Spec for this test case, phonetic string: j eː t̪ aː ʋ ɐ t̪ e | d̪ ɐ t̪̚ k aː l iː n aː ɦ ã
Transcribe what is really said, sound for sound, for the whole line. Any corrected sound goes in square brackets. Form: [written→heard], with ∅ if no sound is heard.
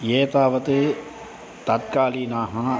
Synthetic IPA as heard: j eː t̪ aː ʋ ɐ t̪ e | [d̪→t̪] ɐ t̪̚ k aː l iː n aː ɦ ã